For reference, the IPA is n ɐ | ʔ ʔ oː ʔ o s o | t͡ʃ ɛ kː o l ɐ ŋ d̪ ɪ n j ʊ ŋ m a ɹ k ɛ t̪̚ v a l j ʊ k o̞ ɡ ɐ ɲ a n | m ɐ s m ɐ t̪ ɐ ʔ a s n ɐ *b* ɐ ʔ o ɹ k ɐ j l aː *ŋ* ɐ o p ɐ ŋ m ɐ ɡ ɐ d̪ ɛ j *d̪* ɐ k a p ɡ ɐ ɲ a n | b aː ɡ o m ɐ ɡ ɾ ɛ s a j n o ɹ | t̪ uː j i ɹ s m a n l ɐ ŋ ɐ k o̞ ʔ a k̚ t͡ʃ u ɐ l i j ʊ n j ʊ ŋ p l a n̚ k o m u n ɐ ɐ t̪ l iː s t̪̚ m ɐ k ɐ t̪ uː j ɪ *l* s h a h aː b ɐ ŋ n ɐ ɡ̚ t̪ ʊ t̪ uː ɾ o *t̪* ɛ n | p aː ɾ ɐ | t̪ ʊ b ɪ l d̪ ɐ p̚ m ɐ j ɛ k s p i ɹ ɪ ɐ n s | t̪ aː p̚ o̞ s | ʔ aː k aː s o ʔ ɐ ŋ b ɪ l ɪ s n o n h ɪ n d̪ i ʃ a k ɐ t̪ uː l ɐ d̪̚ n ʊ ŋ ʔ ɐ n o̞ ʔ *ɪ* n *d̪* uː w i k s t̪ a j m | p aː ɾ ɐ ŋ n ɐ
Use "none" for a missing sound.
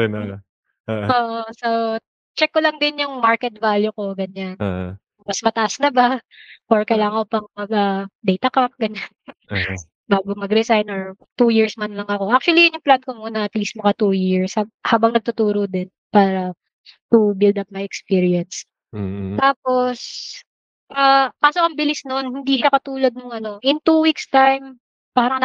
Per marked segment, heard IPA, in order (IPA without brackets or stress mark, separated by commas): b, ŋ, t̪, ɹ, d̪, ɪ, t̪